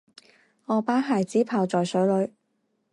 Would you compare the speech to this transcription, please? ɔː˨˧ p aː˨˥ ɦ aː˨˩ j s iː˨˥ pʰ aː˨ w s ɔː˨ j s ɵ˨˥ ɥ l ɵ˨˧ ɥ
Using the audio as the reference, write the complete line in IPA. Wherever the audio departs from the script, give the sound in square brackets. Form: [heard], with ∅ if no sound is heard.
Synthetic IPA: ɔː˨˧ p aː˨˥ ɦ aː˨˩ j [t͡s] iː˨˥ pʰ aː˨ w [t͡s] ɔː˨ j s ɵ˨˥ ɥ l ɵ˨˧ ɥ